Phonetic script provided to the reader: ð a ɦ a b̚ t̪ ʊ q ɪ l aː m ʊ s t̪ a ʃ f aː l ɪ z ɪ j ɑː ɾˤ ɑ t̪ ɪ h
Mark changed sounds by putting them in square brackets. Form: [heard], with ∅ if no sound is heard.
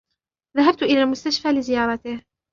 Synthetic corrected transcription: ð a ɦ a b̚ t̪ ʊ [ʔ] ɪ l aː m ʊ s t̪ a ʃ f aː l ɪ z ɪ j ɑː ɾˤ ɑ t̪ ɪ h

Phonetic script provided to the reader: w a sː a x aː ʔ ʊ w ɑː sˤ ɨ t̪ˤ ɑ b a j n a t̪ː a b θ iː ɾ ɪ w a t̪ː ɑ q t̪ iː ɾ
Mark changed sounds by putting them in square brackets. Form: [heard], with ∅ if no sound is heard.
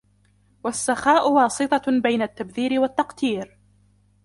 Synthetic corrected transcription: w a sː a x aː ʔ ʊ w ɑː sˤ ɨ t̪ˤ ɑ b a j n a t̪ː a b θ iː ɾ ɪ w a t̪ː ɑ q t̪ iː ɾ

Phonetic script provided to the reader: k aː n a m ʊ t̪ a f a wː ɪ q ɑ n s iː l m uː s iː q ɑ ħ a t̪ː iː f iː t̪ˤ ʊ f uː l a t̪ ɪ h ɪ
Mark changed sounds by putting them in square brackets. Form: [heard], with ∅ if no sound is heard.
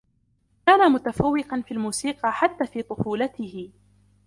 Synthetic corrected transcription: k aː n a m ʊ t̪ a f a wː ɪ q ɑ n [f] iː l m uː s iː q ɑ ħ a t̪ː [aː] f iː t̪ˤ ʊ f uː l a t̪ ɪ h ɪ

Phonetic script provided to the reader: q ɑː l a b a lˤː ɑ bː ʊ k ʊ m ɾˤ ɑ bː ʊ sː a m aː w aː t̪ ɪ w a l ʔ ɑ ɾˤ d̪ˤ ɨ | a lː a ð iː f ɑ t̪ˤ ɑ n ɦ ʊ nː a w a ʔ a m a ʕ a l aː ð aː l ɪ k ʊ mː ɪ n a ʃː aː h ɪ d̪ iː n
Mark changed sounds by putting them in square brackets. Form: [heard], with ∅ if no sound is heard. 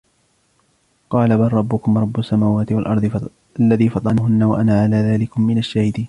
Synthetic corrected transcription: q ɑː l a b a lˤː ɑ bː ʊ k ʊ m ɾˤ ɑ bː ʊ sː a m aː w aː t̪ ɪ w a l ʔ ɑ ɾˤ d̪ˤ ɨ | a lː a ð iː f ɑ t̪ˤ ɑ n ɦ ʊ nː a w a ʔ a [n] a ʕ a l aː ð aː l ɪ k ʊ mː ɪ n a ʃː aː h ɪ d̪ iː n

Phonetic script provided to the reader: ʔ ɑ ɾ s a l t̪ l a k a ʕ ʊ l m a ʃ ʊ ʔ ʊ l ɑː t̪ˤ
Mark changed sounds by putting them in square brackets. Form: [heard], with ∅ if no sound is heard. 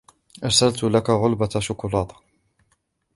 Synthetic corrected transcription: ʔ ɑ ɾ s a l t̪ l a k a [ɣ] ʊ l [b] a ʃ ʊ [k] ʊ l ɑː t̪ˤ

